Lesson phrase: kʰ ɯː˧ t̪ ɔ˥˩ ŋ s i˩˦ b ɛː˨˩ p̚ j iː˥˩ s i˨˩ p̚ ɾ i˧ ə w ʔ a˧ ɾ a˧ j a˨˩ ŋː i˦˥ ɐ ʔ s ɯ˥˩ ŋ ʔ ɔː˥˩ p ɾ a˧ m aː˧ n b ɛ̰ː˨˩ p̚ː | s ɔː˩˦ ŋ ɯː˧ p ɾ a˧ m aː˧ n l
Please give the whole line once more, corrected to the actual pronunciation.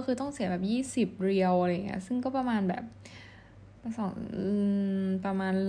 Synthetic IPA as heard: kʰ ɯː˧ t̪ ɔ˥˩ ŋ s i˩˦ b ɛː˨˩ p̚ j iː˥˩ s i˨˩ p̚ ɾ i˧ ə w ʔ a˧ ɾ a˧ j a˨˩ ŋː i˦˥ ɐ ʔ s ɯ˥˩ ŋ k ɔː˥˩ p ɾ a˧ m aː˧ n b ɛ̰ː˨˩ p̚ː | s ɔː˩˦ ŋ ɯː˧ p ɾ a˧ m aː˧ n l